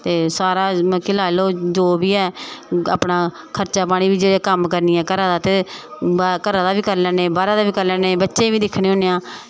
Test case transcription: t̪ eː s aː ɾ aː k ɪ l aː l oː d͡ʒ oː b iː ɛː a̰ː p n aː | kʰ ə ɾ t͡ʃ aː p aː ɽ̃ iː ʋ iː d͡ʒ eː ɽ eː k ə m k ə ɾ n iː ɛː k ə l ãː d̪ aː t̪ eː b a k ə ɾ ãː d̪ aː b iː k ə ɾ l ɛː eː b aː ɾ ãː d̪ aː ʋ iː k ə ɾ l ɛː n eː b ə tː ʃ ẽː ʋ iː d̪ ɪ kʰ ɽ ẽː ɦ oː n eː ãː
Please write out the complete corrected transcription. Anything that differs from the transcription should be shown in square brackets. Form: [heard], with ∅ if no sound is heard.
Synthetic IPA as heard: t̪ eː s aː ɾ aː k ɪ l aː l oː d͡ʒ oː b iː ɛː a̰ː p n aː | kʰ ə ɾ t͡ʃ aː p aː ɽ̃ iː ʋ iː d͡ʒ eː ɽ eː k ə m k ə ɾ n iː ɛː k ə [ɾ] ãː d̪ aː t̪ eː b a k ə ɾ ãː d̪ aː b iː k ə ɾ l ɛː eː b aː ɾ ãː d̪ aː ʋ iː k ə ɾ l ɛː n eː b ə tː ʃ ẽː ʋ iː d̪ ɪ kʰ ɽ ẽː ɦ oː n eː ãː